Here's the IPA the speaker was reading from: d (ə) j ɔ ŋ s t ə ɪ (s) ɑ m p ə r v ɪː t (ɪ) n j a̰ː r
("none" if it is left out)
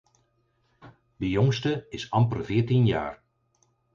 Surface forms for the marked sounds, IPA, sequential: ə, s, i

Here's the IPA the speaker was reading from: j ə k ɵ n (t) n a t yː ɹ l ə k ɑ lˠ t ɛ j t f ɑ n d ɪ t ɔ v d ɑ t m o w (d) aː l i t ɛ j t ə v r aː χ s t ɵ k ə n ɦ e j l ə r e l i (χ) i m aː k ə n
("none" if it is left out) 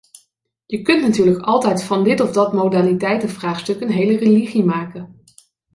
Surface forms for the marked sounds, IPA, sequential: t, d, χ

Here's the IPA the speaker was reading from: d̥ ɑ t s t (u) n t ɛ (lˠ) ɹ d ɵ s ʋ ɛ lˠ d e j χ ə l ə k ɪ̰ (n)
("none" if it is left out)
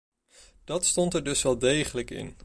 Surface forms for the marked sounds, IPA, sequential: ɔ, none, n

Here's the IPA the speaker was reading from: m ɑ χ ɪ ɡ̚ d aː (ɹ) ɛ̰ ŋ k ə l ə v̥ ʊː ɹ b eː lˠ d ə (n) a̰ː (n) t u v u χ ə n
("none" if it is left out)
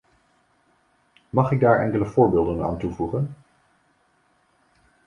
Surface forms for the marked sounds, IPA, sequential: ɹ, n, n

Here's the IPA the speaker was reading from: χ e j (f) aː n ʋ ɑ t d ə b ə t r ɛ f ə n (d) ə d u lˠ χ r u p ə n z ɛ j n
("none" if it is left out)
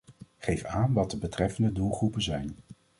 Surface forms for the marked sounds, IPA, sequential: f, d

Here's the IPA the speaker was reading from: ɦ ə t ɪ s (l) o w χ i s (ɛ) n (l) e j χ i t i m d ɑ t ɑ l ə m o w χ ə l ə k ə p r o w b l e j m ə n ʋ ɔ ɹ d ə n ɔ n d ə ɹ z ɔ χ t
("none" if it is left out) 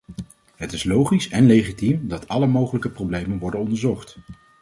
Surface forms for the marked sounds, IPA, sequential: l, ɛ, l

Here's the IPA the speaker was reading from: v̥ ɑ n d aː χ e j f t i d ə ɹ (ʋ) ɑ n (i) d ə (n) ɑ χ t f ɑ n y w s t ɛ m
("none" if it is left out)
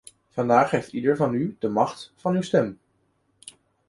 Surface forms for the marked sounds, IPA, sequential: v, y, m

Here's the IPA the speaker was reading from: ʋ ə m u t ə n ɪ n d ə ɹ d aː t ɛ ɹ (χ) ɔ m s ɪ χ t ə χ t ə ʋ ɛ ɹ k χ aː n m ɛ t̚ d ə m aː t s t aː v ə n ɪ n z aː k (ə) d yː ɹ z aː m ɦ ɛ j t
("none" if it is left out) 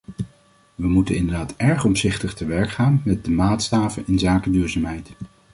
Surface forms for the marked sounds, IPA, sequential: χ, ə

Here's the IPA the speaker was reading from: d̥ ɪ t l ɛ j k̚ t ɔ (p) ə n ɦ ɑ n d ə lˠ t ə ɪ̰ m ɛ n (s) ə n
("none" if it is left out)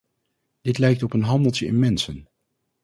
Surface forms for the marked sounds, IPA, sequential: p, s

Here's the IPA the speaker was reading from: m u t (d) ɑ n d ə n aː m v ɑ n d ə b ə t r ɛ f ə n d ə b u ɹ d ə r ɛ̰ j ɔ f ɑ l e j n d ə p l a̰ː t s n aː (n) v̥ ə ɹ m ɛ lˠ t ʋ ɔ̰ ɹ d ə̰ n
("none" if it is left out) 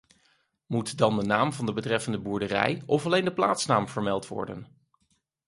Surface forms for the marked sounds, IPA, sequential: d, m

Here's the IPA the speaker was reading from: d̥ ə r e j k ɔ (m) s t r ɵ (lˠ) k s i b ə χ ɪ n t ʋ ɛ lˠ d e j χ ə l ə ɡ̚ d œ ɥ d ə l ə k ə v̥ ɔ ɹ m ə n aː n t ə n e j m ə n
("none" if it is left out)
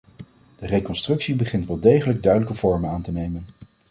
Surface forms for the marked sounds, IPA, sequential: n, none

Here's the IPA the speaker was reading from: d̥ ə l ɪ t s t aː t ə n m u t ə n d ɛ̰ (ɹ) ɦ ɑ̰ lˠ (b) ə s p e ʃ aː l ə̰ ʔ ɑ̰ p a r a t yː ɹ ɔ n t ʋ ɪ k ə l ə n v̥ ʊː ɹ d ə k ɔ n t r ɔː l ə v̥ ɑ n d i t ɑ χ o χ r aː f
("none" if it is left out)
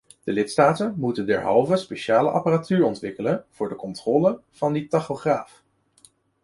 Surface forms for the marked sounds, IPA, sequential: ɹ, v

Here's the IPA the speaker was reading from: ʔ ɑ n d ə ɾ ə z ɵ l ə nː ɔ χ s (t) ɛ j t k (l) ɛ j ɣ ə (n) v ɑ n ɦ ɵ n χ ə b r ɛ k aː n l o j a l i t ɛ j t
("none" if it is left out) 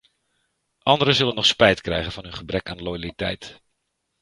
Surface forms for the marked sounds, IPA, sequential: p, r, n

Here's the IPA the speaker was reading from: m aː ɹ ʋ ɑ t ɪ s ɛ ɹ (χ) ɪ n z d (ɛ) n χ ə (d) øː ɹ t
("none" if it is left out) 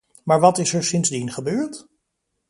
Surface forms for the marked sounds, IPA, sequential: s, i, b

